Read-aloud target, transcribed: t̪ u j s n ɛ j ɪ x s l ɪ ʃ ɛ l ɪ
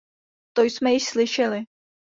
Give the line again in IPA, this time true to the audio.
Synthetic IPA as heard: t̪ o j s m ɛ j ɪ ʃ s l ɪ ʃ ɛ l ɪ